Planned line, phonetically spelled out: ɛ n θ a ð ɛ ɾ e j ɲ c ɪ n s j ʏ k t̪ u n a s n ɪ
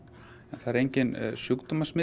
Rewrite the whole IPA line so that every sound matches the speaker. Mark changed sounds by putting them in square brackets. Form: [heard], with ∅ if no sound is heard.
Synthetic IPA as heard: ɛ n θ a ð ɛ ɾ e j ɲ c ɪ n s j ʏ k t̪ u [m] a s [m] ɪ